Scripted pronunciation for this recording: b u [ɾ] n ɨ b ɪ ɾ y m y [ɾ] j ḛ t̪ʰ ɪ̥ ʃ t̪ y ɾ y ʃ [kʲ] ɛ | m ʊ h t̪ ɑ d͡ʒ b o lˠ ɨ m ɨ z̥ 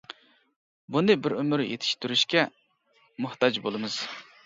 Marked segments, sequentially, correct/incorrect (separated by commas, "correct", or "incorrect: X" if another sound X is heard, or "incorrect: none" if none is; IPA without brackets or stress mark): incorrect: none, correct, correct